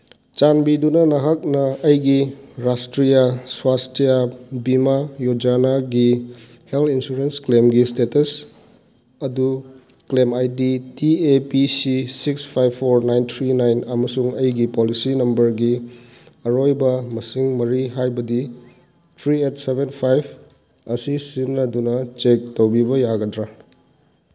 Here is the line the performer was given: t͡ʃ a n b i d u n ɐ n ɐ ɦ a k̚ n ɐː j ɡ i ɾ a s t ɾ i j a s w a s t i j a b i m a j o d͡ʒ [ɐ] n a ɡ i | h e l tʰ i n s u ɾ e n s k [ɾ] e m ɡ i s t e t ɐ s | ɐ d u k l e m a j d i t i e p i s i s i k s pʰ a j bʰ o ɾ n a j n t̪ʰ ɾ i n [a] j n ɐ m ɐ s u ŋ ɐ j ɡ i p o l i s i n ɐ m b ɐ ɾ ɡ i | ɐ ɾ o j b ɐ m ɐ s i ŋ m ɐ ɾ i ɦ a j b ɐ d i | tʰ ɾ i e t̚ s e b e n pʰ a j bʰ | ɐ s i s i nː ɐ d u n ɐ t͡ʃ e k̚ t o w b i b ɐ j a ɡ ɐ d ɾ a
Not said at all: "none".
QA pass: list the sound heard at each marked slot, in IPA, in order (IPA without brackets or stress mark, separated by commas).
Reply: a, l, a